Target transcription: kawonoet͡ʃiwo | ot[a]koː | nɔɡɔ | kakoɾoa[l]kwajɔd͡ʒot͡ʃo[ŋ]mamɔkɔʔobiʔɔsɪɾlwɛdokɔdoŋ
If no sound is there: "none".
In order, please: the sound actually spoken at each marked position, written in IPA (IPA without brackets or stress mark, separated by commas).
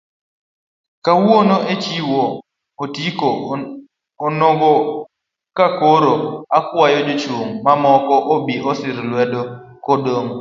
i, none, ŋ